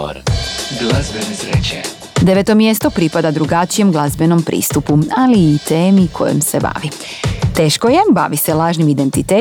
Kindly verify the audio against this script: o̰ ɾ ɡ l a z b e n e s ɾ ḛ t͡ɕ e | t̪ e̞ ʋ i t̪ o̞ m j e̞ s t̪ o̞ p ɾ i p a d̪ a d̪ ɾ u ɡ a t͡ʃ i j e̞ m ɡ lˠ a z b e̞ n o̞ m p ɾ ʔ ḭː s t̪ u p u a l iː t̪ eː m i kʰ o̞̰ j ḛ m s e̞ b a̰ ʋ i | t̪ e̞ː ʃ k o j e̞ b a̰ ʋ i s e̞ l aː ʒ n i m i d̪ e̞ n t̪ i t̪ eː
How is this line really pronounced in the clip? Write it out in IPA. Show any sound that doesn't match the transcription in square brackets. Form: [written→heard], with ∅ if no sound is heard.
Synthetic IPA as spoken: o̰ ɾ ɡ l a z b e n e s ɾ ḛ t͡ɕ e | [t̪→d̪] e̞ ʋ [i→e] t̪ o̞ m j e̞ s t̪ o̞ p ɾ i p a d̪ a d̪ ɾ u ɡ a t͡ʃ i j e̞ m ɡ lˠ a z b e̞ n o̞ m p ɾ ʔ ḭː s t̪ u p u a l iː t̪ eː m i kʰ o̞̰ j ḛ m s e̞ b a̰ ʋ i | t̪ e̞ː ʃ k o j e̞ b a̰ ʋ i s e̞ l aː ʒ n i m i d̪ e̞ n t̪ i t̪ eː